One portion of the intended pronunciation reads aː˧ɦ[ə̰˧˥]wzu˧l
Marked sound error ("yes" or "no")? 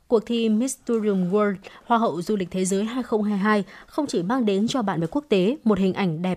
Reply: yes